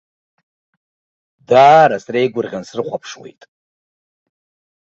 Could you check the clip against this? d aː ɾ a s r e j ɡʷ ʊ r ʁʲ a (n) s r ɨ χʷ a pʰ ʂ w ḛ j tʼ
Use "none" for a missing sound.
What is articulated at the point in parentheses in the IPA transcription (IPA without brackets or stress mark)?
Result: n